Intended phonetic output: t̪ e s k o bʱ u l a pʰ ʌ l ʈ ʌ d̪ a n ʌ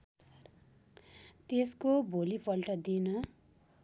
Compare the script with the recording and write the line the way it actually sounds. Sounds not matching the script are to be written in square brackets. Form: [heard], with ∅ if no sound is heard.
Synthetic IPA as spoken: t̪ e s k o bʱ [o] l [i] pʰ ʌ l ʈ ʌ d̪ [i] n ʌ